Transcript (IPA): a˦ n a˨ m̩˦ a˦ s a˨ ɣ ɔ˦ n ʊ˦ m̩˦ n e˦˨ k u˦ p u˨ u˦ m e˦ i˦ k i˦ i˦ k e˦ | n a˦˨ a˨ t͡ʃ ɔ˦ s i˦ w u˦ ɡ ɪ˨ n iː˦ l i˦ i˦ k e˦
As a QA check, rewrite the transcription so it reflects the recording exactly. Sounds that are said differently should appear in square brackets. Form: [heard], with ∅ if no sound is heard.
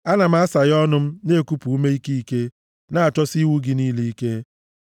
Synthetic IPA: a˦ n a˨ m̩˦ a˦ s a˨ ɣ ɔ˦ n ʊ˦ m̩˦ n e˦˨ k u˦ p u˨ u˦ m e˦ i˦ k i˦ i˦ k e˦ | n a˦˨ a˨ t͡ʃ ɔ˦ s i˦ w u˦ ɡ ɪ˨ n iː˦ l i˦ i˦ k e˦